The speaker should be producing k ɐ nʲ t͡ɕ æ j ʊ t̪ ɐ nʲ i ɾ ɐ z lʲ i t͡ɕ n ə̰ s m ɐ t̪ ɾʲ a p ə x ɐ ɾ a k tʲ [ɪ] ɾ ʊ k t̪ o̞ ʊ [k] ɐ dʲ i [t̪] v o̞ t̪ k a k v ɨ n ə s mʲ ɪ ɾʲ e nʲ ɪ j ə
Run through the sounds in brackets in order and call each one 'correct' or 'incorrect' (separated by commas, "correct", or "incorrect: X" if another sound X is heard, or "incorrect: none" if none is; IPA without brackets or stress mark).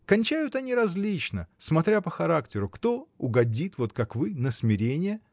correct, incorrect: ɡ, correct